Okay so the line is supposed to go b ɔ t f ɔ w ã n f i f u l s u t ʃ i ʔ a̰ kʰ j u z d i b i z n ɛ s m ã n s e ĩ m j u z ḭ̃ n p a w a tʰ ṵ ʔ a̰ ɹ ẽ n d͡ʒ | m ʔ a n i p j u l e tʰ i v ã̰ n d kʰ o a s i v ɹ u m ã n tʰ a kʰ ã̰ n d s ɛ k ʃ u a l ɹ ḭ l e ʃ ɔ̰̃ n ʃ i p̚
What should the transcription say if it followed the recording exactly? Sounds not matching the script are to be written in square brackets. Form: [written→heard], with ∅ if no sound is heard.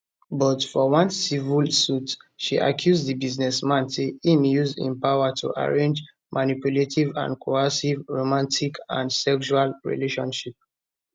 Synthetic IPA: b ɔ t f ɔ w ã n [f→s] i [f→v] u l s u t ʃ i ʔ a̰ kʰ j u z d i b i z n ɛ s m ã n s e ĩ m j u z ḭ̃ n p a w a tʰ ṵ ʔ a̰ ɹ ẽ n d͡ʒ | m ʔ a n i p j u l e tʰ i v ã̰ n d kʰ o a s i v ɹ [u→o] m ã n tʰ [a→i] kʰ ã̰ n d s ɛ k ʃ u a l ɹ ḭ l e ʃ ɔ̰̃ n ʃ i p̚